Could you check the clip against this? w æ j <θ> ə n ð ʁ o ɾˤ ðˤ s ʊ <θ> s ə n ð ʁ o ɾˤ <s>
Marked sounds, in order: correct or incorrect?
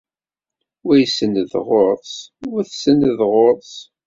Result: incorrect: s, correct, correct

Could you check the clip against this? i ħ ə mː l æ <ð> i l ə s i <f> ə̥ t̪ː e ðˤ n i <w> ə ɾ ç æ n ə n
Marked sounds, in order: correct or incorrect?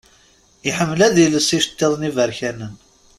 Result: correct, incorrect: ʃ, incorrect: v

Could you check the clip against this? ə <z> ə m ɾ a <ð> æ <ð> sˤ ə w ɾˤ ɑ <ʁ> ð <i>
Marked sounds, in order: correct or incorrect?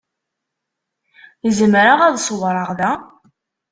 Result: correct, incorrect: ʁ, correct, correct, incorrect: æ

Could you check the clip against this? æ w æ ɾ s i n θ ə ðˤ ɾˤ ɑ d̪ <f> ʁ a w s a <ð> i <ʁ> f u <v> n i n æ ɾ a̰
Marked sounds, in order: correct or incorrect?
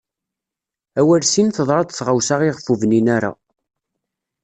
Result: incorrect: θ, incorrect: ʁ, correct, correct

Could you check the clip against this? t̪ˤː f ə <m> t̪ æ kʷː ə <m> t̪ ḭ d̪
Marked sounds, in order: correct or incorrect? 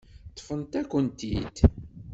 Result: incorrect: n, incorrect: n

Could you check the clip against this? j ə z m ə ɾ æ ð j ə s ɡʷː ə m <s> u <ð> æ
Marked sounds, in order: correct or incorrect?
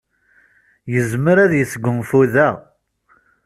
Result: incorrect: f, correct

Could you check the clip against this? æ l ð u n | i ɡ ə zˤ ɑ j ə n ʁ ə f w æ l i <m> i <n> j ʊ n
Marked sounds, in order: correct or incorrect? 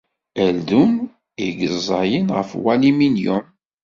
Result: correct, correct

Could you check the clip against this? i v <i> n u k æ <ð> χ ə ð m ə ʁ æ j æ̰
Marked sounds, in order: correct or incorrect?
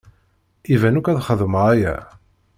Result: incorrect: æ, correct

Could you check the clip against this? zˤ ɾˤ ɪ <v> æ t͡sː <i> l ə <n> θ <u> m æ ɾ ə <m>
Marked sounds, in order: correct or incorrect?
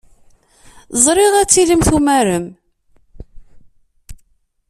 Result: incorrect: ʁ, correct, incorrect: m, correct, correct

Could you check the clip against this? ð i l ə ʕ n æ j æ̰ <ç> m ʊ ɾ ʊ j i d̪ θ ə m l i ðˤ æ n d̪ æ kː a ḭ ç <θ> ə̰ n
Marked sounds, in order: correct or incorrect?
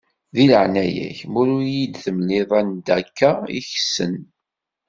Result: correct, incorrect: s

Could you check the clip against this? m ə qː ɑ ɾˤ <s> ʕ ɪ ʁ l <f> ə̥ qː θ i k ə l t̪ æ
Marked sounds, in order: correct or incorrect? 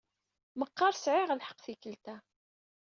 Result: correct, incorrect: ħ

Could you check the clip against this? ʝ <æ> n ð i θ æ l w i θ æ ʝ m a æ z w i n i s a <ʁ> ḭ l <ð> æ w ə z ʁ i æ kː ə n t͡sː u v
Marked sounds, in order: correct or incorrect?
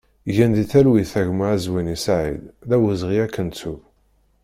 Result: correct, incorrect: ʕ, correct

